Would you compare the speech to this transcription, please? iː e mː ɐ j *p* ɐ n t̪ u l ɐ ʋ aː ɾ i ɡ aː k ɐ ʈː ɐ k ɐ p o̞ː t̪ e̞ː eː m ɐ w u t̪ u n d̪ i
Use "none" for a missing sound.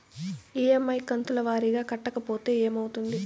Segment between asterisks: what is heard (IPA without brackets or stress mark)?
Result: k